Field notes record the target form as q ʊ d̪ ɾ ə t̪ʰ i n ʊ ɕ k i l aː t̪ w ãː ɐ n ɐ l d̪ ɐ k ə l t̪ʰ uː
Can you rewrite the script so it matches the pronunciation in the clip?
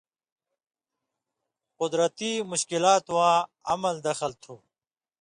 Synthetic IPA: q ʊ d̪ ɾ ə t̪ i m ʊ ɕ k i l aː t̪ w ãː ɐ m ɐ l d̪ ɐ x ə l t̪ʰ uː